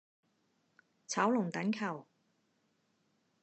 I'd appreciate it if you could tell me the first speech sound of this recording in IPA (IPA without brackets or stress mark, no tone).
t͡sʰ